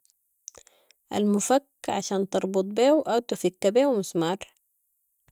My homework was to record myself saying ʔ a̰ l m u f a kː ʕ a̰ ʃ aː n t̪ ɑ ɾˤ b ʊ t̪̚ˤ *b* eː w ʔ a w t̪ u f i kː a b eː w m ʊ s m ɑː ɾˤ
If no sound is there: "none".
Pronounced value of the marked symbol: b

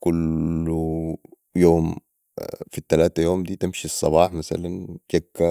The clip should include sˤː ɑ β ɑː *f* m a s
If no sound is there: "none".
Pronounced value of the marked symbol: ħ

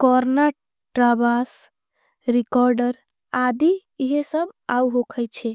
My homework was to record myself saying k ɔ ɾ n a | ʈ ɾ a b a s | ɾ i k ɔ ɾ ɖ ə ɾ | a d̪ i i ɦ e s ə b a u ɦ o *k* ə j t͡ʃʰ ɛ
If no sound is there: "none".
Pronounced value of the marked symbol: kʰ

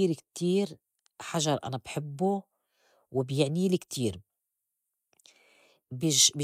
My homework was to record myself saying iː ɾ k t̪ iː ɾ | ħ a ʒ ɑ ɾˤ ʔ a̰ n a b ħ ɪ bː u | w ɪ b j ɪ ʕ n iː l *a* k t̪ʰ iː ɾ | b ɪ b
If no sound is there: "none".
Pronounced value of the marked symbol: i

